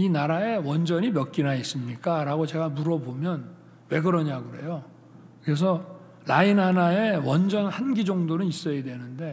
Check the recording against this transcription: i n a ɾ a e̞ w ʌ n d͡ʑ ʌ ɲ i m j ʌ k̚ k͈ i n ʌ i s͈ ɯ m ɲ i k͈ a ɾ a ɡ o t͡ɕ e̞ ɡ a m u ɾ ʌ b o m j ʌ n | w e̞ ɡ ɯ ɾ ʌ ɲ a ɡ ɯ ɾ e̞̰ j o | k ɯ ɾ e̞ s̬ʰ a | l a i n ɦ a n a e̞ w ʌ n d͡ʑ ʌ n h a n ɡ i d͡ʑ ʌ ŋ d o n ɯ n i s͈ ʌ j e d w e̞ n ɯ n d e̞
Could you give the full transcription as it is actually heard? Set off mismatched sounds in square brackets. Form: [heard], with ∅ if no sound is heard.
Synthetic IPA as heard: i n a ɾ a e̞ w ʌ n d͡ʑ ʌ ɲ i m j ʌ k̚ k͈ i n [a] i s͈ ɯ m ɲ i k͈ a ɾ a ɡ o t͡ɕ e̞ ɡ a m u ɾ ʌ b o m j ʌ n | w e̞ ɡ ɯ ɾ ʌ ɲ a ɡ ɯ ɾ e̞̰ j o | k ɯ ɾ e̞ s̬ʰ [ʌ] | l a i n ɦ a n a e̞ w ʌ n d͡ʑ ʌ n h a n ɡ i d͡ʑ ʌ ŋ d o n ɯ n i s͈ ʌ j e d w e̞ n ɯ n d e̞